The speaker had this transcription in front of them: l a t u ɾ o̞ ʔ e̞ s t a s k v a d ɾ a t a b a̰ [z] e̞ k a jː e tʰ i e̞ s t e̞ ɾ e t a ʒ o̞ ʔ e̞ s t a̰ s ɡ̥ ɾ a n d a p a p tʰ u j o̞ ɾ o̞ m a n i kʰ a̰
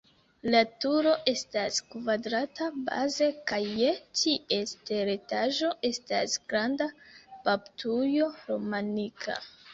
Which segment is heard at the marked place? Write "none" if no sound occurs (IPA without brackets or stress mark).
z